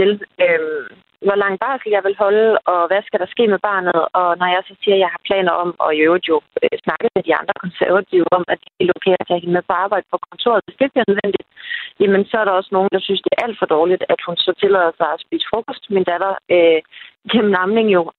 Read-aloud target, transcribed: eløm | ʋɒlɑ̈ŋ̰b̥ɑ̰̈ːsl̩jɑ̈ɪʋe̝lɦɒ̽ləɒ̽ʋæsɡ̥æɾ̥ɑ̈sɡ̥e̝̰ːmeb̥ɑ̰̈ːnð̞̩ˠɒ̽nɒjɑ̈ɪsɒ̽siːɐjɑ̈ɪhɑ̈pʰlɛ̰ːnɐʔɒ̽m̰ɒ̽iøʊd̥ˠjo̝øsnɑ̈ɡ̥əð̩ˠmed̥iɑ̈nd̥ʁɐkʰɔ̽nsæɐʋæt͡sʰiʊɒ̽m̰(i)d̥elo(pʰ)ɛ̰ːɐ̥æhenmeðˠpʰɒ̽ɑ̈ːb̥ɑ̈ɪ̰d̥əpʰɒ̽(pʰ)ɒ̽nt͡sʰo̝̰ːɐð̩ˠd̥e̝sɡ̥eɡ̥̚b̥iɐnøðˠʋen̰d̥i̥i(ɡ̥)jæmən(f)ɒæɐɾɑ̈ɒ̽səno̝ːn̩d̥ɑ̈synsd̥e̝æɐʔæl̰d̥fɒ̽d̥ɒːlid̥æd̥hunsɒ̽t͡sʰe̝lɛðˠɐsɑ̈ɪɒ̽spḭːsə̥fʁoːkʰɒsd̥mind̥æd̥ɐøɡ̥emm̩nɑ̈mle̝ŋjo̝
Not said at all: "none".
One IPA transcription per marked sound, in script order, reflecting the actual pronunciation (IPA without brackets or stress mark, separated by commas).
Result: æ, kʰ, kʰ, d̥, s